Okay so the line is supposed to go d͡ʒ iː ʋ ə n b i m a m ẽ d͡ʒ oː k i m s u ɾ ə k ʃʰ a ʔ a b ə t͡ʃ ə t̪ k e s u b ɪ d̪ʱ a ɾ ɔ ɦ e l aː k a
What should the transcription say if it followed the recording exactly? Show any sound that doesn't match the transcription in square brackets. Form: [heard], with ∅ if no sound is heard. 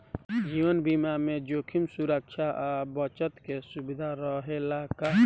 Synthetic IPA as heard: d͡ʒ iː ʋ ə n b i m a m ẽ d͡ʒ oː [kʰ] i m s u ɾ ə k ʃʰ a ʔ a b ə t͡ʃ ə t̪ k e s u b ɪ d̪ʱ a ɾ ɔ ɦ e l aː k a